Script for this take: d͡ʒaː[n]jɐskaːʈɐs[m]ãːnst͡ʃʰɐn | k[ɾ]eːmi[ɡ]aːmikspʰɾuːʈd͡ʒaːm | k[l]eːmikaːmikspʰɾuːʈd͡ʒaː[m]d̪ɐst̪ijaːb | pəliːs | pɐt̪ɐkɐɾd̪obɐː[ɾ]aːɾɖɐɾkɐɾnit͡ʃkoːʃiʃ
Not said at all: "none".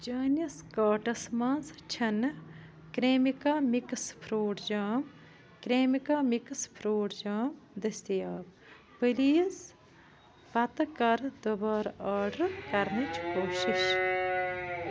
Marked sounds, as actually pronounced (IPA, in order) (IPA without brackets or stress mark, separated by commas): n, m, ɾ, k, ɾ, m, ɾ